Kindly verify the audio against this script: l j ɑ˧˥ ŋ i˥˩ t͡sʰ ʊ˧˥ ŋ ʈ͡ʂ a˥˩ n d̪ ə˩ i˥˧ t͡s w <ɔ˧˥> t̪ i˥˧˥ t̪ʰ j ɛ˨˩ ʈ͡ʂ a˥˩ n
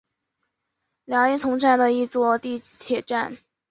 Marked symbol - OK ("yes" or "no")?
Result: no